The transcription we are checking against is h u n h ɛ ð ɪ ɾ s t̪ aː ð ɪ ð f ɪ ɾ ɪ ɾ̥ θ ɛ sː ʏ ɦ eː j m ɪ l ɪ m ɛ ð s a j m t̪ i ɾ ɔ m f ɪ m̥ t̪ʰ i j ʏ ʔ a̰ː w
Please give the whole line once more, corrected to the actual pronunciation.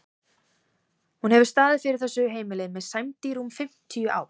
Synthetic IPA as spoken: h u n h ɛ v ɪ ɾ s t̪ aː ð ɪ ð f ɪ ɾ ɪ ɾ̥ θ ɛ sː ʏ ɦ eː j m ɪ l ɪ m ɛ ð s a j m t̪ i ɾ u m f ɪ m̥ t̪ʰ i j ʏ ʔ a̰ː w